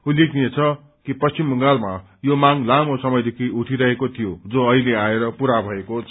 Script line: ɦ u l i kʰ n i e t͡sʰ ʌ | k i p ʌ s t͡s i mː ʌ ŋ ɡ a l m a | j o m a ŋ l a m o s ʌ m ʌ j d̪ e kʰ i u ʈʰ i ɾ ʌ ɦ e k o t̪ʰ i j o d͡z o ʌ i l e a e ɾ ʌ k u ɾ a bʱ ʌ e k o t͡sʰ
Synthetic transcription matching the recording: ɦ u l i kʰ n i e t͡sʰ ʌ | k i p ʌ s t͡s i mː ʌ ŋ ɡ a l m a | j o m a ŋ l a m o s ʌ m ʌ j d̪ e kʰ i u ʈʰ i ɾ ʌ ɦ e k o t̪ʰ i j o d͡z o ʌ i l e a e ɾ ʌ p u ɾ a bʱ ʌ e k o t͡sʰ